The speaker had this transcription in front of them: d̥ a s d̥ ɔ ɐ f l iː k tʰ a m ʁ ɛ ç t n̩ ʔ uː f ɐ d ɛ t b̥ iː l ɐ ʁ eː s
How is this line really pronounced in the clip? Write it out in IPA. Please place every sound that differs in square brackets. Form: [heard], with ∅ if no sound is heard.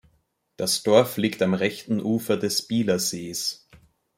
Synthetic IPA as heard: d̥ a s d̥ ɔ ɐ f l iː k [t] a m ʁ ɛ ç t n̩ ʔ uː f ɐ d ɛ [s] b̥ iː l ɐ [z] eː s